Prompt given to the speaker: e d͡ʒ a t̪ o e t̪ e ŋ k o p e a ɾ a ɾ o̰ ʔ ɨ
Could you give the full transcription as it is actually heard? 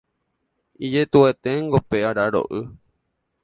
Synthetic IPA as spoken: i d͡ʒ e t̪ u e t̪ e ŋ ɡ o p e a ɾ a ɾ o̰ ʔ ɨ